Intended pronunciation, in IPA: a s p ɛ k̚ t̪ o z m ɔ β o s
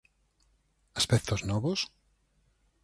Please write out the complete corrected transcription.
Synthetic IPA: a s p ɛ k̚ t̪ o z n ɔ β o s